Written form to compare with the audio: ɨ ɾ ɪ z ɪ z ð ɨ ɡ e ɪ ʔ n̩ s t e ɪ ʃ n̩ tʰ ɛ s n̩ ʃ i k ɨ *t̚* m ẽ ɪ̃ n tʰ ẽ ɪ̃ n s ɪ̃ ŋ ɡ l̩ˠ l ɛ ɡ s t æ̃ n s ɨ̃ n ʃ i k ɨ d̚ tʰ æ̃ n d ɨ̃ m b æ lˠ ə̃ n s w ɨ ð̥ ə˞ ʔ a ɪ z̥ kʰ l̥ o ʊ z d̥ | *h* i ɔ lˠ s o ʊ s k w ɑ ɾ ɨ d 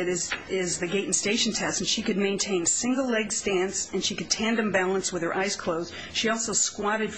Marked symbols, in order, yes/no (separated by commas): no, no